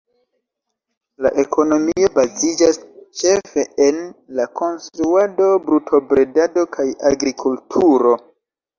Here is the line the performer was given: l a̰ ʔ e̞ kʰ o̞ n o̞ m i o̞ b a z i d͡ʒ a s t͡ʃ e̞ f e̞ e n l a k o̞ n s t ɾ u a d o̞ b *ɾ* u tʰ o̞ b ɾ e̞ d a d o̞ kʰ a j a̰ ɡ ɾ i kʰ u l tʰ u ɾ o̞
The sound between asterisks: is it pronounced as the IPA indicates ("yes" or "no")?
yes